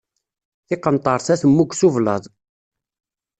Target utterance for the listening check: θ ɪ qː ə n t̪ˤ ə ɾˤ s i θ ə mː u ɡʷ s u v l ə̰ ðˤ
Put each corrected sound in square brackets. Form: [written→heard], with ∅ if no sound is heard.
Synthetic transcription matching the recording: θ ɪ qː ə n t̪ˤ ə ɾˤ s [i→æ] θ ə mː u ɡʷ s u v l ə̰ ðˤ